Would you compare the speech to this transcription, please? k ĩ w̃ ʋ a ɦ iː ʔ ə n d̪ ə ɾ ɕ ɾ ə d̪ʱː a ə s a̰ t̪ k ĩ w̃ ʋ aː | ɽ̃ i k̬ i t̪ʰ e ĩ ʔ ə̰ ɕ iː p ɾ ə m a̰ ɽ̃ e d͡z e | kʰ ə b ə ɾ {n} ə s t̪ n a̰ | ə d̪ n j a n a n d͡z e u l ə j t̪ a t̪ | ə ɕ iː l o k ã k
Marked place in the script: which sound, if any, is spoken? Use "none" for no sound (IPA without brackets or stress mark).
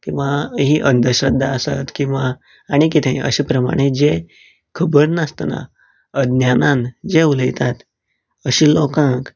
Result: n